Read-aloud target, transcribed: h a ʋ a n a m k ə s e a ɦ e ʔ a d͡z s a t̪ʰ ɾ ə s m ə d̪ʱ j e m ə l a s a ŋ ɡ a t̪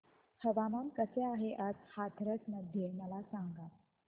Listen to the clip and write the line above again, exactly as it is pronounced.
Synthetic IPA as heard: h ə ʋ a m a m k ə s e a ɦ e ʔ a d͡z h a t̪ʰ ɾ ə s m ə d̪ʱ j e m ə l a s a ŋ ɡ a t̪